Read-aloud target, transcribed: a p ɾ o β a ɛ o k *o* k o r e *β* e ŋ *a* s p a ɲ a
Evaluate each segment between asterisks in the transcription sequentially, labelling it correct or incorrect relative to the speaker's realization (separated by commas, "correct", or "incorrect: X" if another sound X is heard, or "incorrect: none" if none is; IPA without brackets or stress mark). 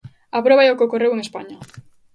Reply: correct, incorrect: w, incorrect: e